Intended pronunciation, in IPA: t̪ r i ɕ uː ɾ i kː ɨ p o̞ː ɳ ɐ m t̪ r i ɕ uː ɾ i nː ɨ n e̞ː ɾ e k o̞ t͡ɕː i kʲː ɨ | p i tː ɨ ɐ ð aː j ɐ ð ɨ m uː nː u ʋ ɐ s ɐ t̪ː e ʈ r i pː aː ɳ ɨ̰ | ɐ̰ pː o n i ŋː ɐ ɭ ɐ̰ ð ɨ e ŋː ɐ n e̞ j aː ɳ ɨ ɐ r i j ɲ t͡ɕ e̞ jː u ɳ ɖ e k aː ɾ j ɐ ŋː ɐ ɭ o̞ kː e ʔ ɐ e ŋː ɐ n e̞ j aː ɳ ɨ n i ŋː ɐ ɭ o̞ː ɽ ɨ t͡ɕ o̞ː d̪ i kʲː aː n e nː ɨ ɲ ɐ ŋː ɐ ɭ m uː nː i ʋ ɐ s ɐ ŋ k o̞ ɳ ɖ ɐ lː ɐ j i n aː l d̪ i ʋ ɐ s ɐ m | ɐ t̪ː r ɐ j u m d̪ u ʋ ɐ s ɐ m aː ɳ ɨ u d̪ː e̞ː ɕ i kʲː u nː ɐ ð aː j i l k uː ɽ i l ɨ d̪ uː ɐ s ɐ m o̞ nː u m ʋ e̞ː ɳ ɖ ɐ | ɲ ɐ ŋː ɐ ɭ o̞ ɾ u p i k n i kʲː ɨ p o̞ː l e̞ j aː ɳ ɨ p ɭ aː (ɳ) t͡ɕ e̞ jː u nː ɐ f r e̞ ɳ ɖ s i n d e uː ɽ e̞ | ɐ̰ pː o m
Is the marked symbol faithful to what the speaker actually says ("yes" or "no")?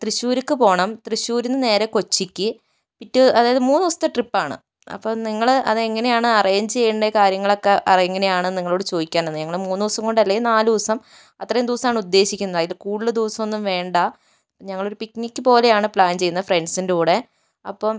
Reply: no